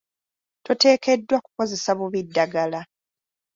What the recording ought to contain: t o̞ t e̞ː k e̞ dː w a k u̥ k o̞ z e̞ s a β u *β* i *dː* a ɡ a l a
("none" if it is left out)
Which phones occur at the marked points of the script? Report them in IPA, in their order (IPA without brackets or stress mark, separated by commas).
β, dː